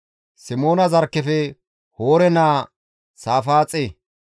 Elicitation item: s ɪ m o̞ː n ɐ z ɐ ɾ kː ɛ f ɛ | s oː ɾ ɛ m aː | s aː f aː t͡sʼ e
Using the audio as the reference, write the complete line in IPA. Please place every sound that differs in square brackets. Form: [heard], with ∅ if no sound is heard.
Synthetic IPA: s ɪ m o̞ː n ɐ z ɐ ɾ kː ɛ f ɛ | [h] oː ɾ ɛ [n] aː | s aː f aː t͡sʼ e